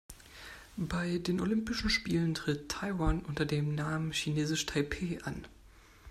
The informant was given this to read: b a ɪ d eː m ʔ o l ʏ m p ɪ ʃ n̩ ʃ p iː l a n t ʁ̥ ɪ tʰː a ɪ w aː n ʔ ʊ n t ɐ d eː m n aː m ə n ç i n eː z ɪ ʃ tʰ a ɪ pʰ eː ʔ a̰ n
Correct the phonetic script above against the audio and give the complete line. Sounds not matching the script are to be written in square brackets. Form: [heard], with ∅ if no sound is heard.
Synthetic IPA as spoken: b a ɪ d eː [n] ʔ o l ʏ m p ɪ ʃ n̩ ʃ p iː l [ə] n t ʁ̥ ɪ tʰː a ɪ w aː n ʔ ʊ n t ɐ d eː m n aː m ə n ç i n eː z ɪ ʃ tʰ a ɪ pʰ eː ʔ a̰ n